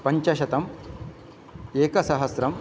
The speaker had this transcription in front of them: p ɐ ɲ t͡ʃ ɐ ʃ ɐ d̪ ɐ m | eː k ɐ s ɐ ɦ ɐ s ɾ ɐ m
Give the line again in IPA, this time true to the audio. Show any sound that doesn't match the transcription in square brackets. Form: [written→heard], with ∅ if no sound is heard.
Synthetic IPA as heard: p ɐ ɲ t͡ʃ ɐ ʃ ɐ [d̪→t̪] ɐ m | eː k ɐ s ɐ ɦ ɐ s ɾ ɐ m